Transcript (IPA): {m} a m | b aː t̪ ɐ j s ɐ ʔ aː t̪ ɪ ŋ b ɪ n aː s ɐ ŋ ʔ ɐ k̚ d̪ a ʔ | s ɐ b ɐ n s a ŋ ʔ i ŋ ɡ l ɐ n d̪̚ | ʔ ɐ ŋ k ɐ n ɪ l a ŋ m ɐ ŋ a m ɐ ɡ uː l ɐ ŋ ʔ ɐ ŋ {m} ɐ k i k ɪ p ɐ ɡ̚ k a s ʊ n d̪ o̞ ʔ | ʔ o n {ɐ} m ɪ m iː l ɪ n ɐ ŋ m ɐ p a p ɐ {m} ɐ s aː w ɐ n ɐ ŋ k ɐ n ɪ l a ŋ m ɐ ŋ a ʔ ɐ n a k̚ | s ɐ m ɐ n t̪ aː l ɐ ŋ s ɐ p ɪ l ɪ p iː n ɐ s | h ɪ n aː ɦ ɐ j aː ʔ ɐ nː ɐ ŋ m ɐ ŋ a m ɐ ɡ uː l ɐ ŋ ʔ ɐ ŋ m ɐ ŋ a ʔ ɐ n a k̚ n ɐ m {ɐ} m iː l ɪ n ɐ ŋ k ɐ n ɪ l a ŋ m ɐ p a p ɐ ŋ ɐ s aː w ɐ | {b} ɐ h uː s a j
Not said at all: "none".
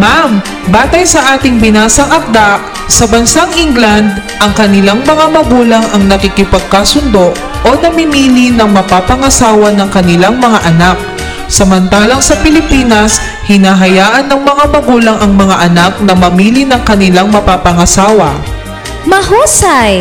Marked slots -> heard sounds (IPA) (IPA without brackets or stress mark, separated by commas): m, n, ɐ, ŋ, ɐ, m